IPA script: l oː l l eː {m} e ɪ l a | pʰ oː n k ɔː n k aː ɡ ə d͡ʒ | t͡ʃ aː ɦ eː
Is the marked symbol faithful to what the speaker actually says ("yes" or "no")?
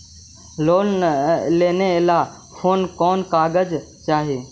no